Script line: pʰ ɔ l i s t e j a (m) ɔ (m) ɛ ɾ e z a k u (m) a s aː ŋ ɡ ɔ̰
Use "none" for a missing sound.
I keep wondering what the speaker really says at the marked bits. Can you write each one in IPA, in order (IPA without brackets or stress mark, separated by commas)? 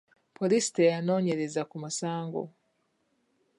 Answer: n, ɲ, m